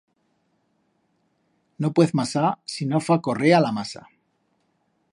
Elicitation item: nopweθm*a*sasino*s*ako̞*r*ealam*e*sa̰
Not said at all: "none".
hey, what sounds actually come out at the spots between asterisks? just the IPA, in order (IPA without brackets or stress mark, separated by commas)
a, f, r, a